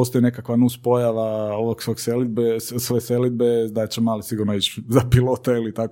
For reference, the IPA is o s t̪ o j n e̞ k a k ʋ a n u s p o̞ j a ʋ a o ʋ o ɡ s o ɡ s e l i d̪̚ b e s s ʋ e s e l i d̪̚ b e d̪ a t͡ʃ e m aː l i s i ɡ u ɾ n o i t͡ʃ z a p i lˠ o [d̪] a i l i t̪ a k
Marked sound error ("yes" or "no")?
yes